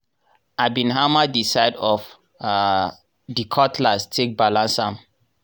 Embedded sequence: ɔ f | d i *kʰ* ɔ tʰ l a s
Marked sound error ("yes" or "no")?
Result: no